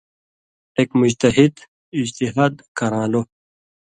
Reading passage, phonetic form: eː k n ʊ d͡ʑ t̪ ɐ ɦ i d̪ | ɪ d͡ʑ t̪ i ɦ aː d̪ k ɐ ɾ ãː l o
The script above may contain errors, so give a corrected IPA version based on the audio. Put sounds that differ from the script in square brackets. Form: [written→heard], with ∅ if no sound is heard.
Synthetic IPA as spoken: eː k [n→m] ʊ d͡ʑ t̪ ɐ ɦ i d̪ | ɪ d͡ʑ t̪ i ɦ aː d̪ k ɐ ɾ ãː l o